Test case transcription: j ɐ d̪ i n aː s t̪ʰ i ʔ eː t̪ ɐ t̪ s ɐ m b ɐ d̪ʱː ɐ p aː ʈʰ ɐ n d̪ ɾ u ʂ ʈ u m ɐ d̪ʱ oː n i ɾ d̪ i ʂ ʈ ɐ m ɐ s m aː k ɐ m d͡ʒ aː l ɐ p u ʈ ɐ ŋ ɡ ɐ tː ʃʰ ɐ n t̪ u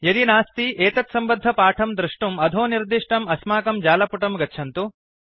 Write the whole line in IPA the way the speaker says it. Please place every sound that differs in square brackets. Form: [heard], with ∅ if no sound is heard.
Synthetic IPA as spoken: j ɐ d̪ i n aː s [t̪] i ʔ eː t̪ ɐ t̪ s ɐ m b ɐ d̪ʱː ɐ p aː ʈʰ ɐ [m] d̪ ɾ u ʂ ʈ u m ɐ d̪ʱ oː n i ɾ d̪ i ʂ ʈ ɐ m ɐ s m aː k ɐ m d͡ʒ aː l ɐ p u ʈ ɐ [m] ɡ ɐ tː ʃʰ ɐ n t̪ u